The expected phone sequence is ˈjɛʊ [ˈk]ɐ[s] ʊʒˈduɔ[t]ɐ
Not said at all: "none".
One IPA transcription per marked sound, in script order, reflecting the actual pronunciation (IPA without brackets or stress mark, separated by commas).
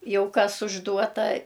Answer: k, s, t